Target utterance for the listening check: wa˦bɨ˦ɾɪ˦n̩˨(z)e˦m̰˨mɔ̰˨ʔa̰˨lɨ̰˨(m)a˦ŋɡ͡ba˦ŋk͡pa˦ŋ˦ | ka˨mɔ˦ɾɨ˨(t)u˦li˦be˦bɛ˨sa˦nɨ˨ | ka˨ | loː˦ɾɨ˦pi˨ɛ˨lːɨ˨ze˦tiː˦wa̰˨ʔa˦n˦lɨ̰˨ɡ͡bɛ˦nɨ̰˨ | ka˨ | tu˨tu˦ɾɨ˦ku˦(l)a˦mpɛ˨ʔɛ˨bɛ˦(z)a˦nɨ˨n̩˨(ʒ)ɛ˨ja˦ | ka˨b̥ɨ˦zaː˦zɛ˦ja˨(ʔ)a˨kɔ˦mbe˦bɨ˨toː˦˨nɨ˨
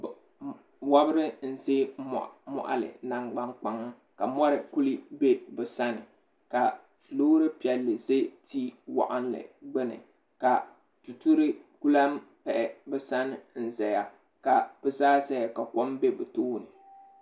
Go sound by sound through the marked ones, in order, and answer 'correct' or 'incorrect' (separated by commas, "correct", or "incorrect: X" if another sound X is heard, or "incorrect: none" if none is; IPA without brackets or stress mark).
correct, incorrect: n, incorrect: k, correct, incorrect: s, incorrect: z, incorrect: k